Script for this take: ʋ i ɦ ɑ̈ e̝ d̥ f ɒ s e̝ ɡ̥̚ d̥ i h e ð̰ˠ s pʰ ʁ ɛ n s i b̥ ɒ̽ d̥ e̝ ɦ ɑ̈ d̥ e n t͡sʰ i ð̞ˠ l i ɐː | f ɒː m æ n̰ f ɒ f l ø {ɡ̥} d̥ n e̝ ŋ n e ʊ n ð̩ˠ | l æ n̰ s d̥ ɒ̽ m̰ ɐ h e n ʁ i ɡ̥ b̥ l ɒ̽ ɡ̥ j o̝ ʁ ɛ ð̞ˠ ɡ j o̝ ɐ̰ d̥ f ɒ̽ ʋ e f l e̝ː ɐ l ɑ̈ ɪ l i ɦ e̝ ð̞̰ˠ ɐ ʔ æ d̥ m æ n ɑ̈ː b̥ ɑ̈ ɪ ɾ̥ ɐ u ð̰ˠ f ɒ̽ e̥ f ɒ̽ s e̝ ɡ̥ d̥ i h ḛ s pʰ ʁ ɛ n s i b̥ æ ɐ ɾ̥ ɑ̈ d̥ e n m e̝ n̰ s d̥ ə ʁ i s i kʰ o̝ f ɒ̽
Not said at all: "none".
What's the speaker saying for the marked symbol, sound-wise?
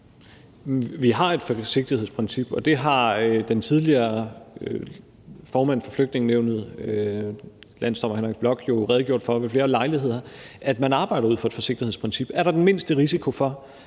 ɡ̥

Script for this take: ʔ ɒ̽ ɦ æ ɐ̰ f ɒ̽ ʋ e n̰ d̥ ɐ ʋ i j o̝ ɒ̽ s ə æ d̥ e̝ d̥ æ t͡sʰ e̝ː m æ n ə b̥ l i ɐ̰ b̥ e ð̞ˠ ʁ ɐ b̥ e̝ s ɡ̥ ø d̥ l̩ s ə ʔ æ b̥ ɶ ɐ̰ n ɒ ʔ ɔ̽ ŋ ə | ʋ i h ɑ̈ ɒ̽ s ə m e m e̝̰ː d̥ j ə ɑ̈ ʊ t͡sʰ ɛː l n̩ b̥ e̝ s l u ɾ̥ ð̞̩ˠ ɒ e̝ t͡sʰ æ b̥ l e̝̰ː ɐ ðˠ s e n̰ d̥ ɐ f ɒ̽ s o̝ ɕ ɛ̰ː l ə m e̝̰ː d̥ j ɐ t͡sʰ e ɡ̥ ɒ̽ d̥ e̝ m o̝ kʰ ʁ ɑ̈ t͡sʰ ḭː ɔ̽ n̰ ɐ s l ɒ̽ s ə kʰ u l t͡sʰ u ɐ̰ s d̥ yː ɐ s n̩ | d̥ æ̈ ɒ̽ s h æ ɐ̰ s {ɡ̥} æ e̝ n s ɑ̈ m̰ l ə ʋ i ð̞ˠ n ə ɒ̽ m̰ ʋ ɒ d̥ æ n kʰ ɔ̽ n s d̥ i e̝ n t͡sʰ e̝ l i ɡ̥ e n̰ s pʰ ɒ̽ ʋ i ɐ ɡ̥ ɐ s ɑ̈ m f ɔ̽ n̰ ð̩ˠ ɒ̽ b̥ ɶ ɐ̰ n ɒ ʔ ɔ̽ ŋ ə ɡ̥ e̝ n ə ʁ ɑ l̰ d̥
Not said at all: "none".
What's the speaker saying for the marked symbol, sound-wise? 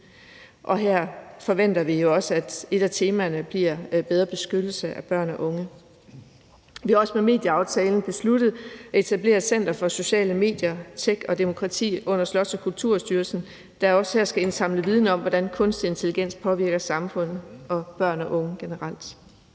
ɡ̥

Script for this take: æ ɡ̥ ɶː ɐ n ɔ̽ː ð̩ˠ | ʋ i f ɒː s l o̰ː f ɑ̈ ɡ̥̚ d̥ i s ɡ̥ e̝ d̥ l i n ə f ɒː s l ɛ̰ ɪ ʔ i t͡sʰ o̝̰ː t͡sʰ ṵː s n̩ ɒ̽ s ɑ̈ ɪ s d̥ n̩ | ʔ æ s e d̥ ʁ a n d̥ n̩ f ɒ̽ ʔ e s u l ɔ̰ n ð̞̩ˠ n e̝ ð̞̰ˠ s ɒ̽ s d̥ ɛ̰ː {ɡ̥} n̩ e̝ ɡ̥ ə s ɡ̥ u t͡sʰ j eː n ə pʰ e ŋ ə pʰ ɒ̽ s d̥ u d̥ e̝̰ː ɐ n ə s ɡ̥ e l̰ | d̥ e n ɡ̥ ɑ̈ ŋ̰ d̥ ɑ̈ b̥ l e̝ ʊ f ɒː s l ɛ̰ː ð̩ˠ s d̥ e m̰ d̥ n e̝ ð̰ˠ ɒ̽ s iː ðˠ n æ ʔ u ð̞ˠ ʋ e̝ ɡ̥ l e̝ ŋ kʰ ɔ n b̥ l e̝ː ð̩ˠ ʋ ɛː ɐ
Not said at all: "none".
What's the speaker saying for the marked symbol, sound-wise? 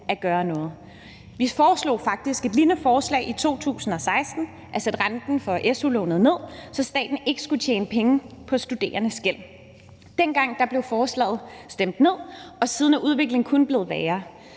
d̥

